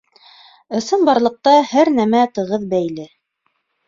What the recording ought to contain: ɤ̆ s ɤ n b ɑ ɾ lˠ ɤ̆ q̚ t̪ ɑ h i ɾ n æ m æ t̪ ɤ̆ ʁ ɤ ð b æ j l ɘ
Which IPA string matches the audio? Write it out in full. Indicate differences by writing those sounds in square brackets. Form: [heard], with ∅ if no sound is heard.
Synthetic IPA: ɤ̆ s ɤ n b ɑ ɾ lˠ ɤ̆ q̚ t̪ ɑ h [æ] ɾ n æ m æ t̪ ɤ̆ ʁ ɤ ð b æ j l ɘ